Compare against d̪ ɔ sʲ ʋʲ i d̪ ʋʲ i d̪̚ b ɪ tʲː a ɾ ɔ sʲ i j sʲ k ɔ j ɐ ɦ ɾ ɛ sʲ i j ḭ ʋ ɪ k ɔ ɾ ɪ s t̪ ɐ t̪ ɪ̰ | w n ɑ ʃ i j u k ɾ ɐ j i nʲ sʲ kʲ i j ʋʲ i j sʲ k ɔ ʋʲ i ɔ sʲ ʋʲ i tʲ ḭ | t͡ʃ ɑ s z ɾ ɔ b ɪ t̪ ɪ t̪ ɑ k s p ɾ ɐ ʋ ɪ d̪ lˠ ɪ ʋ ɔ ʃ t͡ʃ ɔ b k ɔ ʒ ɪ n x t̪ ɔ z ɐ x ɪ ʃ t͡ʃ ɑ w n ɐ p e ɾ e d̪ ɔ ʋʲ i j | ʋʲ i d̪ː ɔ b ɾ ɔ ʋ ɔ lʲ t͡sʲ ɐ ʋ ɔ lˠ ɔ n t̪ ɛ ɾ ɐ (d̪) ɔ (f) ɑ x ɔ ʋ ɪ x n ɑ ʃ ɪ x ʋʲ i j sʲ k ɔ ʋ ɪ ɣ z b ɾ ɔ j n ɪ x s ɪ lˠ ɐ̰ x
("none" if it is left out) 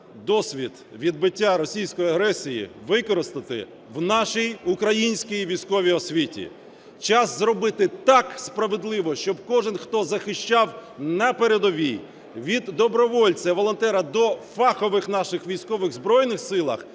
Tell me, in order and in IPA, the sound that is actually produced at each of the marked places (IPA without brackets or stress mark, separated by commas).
d̪, f